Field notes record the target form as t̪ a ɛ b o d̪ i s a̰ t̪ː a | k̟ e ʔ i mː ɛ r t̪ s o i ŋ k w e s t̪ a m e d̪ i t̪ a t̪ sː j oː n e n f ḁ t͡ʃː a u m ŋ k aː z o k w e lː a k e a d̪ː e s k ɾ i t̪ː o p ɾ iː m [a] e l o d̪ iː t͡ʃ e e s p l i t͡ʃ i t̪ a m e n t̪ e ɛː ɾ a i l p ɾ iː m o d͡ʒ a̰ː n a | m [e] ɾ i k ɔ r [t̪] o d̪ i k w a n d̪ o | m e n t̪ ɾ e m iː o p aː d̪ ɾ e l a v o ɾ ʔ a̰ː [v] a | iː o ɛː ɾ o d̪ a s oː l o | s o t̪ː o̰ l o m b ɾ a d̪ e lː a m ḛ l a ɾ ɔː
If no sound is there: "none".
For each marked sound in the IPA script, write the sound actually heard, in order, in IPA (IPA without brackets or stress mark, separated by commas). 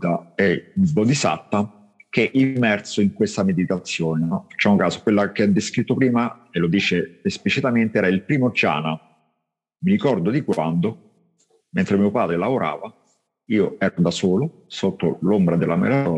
a, i, d̪, v